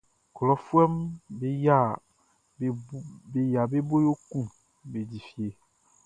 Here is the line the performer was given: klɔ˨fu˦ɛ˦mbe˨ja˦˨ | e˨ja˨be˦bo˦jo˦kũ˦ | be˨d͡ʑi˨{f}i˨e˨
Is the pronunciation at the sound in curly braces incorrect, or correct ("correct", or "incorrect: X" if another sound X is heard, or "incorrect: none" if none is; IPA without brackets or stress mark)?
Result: correct